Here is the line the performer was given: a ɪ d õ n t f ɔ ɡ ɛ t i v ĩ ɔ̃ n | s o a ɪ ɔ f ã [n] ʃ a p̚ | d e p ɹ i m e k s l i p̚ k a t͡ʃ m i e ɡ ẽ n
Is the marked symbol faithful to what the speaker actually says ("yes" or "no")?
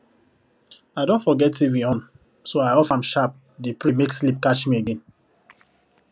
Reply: no